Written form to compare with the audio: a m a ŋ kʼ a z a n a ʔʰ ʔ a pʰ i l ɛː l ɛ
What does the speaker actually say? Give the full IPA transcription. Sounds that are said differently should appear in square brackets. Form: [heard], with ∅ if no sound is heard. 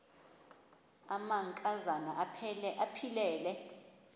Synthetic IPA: a m a ŋ kʼ a z a n a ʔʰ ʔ a pʰ i l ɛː l ɛ